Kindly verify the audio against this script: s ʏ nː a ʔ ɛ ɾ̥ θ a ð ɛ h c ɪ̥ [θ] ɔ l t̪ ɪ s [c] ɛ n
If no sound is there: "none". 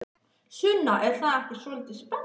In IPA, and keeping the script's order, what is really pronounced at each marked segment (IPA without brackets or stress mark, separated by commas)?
s, p